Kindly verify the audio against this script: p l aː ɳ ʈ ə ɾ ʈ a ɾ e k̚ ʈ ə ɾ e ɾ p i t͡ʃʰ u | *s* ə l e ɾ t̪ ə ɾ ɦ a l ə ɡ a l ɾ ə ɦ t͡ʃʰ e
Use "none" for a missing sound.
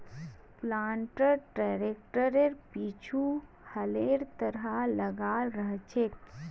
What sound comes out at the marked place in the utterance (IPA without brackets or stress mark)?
h